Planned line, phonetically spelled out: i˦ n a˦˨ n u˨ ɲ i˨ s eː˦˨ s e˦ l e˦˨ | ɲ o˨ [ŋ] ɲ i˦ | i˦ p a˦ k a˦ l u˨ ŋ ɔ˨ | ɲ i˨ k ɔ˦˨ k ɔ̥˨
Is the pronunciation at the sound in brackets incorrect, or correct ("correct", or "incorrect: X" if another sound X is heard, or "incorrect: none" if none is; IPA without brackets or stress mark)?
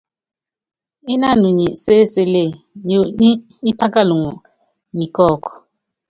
incorrect: none